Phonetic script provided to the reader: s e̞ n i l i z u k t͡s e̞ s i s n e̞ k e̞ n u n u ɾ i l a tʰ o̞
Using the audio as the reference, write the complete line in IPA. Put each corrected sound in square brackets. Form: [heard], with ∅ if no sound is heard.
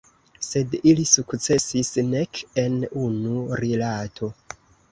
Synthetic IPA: s e̞ [d] i l i [s] u k t͡s e̞ s i s n e̞ k e̞ n u n u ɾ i l a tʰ o̞